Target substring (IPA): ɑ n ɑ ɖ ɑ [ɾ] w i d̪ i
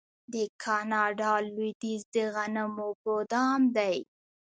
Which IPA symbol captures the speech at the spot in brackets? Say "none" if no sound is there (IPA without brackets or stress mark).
l